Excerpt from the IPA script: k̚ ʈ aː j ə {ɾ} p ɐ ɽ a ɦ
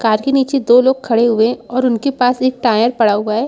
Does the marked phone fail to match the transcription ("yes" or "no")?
no